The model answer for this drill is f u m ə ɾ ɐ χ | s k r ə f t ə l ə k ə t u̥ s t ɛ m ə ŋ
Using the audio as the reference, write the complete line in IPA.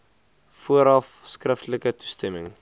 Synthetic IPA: f u ə ɾ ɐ f | s k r ə f t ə l ə k ə t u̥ s t ɛ m ə ŋ